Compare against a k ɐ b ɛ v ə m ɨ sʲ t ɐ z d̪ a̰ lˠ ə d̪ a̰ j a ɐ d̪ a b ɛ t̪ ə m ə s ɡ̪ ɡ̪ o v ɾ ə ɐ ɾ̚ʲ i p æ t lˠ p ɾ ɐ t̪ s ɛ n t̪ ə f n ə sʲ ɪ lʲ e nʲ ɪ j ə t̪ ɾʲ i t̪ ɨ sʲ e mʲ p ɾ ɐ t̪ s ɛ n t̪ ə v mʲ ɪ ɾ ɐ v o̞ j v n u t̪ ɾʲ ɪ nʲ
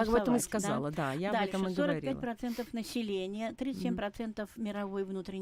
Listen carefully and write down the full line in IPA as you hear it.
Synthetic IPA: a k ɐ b ɛ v ə m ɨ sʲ k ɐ z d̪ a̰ lˠ ə d̪ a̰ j a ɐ d̪ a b ɛ t̪ ə m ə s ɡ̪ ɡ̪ o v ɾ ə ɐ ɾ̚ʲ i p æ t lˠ p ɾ ɐ t̪ s ɛ n t̪ ə f n ə sʲ ɪ lʲ e nʲ ɪ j ə t̪ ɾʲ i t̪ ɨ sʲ e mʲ p ɾ ɐ t̪ s ɛ n t̪ ə f mʲ ɪ ɾ ɐ v o̞ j v n u t̪ ɾʲ ɪ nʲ